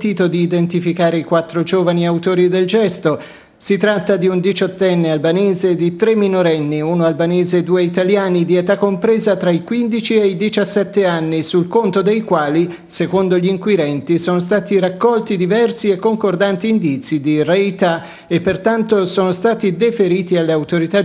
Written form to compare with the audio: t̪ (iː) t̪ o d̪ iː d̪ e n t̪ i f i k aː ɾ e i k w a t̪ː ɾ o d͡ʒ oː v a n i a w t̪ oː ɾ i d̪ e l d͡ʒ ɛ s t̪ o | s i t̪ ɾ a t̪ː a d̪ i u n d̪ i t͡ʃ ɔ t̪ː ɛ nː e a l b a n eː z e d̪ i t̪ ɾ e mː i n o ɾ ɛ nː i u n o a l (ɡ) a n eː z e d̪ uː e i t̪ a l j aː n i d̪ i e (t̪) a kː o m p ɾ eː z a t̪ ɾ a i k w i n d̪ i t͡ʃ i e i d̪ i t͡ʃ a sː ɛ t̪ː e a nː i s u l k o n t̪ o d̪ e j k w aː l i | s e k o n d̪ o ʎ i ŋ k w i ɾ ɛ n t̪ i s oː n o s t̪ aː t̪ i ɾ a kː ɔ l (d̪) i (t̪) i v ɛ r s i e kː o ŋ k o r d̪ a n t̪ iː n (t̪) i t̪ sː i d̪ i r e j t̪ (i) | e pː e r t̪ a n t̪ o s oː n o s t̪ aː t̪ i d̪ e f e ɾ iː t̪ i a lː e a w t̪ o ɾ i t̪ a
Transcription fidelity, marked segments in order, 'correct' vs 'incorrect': correct, incorrect: b, correct, incorrect: t̪, incorrect: d̪, incorrect: d̪, incorrect: a

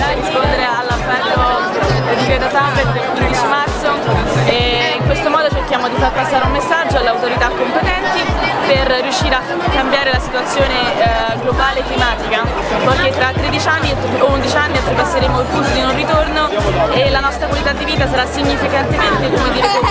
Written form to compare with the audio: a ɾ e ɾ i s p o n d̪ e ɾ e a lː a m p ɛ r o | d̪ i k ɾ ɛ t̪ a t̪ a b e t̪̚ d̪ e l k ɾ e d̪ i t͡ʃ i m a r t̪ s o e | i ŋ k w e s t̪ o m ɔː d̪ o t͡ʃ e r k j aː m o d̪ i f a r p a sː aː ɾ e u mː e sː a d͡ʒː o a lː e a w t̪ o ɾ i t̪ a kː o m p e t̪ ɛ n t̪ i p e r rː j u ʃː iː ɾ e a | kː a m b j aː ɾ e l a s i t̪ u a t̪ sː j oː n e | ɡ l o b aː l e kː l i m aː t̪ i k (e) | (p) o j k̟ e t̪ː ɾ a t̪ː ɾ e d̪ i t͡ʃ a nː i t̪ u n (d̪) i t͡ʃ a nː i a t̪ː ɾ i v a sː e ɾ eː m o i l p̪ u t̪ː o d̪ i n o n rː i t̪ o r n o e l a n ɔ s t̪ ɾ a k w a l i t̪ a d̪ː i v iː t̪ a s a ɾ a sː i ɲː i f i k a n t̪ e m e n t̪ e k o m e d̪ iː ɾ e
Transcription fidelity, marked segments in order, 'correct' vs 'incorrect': incorrect: a, correct, correct

